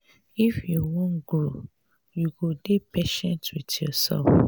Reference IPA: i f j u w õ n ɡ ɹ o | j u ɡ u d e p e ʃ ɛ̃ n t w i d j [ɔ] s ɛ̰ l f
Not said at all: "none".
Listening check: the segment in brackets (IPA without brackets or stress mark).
ɔ